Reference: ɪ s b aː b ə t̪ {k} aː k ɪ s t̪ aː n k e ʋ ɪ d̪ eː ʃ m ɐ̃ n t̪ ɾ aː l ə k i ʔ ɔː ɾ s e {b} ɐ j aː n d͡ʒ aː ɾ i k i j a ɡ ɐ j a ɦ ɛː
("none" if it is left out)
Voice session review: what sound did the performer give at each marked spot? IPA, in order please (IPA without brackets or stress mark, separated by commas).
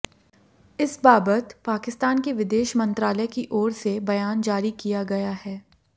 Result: p, b